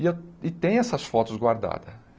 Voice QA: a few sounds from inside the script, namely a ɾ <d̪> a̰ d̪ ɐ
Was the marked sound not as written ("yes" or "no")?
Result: no